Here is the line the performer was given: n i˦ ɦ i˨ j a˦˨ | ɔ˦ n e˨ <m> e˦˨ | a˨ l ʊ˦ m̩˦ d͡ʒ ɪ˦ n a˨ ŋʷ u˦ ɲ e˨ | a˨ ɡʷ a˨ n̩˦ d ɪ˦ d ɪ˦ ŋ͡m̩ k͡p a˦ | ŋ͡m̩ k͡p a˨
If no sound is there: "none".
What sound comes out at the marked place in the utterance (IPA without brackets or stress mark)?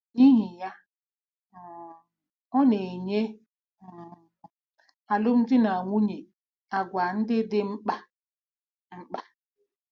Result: ɲ